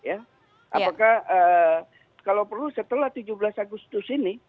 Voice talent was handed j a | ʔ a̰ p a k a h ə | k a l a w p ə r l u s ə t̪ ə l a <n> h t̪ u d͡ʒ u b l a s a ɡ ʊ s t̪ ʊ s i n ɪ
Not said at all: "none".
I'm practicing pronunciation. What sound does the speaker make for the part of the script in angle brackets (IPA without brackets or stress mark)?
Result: none